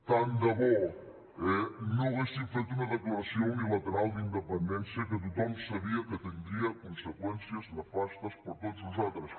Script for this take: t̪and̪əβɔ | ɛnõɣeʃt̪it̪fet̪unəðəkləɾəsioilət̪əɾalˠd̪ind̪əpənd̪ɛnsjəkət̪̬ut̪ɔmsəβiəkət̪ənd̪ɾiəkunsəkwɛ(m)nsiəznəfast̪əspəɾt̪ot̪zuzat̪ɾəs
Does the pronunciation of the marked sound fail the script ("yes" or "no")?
yes